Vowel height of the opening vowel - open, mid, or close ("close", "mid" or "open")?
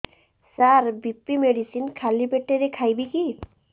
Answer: open